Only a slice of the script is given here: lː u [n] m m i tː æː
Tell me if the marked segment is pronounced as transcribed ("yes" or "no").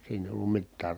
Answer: no